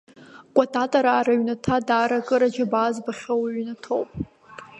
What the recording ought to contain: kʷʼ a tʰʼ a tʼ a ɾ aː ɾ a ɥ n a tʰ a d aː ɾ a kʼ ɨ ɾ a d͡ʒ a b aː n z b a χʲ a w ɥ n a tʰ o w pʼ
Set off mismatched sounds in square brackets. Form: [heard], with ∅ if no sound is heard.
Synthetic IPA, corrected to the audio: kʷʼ a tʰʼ a tʼ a ɾ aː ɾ a ɥ n a tʰ a d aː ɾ a kʼ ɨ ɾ a d͡ʒ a b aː [∅] z b a χʲ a w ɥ n a tʰ o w pʼ